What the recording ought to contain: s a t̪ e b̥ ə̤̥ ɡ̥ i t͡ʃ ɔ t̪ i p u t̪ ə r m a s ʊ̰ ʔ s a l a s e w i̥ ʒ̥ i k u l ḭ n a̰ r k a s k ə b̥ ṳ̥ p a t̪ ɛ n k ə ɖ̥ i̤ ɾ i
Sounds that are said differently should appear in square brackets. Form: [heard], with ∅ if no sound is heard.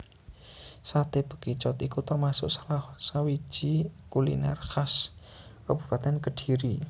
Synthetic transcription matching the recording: s a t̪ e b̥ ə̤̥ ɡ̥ i t͡ʃ ɔ t̪ i [k] u t̪ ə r m a s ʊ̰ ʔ s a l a s [a] w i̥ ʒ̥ i k u l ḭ n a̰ r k a s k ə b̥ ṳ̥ p a t̪ ɛ n k ə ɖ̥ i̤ ɾ i